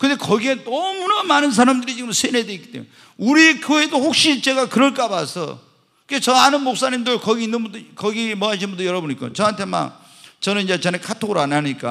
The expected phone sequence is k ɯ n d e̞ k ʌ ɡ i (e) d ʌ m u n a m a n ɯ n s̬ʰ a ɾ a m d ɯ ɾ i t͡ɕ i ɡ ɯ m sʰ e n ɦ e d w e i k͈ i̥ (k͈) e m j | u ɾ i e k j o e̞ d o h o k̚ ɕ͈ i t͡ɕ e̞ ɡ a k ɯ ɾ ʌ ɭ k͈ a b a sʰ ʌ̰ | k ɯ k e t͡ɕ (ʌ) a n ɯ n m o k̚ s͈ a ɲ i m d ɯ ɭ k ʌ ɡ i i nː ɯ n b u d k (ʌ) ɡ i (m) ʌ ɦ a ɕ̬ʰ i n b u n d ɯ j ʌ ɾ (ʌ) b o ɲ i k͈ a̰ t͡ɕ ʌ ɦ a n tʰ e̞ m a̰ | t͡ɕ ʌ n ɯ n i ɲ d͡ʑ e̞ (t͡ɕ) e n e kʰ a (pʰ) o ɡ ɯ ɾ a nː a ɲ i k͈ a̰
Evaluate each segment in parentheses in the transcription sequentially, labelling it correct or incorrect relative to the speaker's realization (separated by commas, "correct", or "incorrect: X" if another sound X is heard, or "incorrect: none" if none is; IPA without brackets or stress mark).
correct, incorrect: t͈, correct, correct, correct, correct, correct, incorrect: tʰ